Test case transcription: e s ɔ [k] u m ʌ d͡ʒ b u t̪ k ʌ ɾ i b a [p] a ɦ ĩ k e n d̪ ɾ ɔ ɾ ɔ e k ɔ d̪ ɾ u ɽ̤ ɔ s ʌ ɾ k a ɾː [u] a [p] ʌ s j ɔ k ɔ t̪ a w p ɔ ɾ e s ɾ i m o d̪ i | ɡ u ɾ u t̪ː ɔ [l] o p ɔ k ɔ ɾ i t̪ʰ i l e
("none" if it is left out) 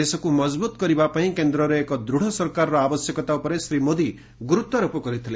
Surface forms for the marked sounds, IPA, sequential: k, p, ɔ, b, ɾ

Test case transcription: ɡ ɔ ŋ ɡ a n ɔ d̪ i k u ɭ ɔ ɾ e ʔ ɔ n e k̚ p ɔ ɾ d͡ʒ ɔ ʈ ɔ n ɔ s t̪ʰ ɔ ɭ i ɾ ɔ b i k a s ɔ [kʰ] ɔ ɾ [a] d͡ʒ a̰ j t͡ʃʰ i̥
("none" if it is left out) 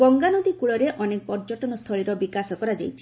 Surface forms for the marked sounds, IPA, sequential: k, a

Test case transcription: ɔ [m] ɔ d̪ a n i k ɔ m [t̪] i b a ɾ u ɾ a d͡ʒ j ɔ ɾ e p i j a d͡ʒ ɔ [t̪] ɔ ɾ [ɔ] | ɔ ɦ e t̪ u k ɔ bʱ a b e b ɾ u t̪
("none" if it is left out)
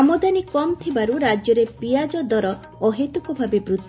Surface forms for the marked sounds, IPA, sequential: m, t̪ʰ, d̪, ɔ

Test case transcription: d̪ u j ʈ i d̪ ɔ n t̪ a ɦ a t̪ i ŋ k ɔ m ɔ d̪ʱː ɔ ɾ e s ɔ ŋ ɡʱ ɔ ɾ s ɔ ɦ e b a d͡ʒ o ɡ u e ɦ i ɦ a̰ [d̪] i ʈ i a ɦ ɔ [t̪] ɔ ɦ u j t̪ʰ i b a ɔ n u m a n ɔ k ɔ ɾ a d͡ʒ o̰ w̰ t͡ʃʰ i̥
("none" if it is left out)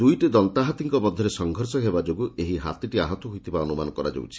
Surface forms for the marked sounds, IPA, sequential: t̪, t̪

